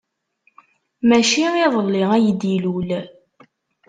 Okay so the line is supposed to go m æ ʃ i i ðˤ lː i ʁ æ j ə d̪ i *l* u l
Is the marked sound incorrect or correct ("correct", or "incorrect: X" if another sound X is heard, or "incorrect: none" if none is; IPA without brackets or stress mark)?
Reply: correct